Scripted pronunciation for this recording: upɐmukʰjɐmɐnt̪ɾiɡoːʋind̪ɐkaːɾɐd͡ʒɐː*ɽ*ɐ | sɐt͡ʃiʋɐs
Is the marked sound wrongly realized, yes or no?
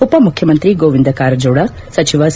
no